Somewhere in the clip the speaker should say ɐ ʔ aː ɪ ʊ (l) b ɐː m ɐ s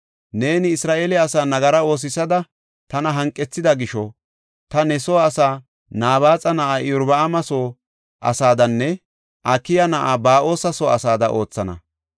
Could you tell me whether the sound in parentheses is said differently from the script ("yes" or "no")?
yes